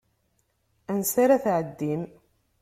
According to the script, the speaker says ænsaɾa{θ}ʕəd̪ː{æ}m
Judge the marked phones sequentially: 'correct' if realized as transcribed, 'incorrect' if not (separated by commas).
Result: correct, incorrect